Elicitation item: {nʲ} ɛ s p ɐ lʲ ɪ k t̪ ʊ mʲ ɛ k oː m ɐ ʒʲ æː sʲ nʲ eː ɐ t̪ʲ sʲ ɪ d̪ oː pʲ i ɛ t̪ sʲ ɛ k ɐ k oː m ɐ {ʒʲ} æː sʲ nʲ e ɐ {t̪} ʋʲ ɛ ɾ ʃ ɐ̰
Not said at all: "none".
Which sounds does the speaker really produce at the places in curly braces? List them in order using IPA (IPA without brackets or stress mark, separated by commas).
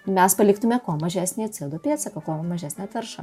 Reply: mʲ, ʒʲ, t̪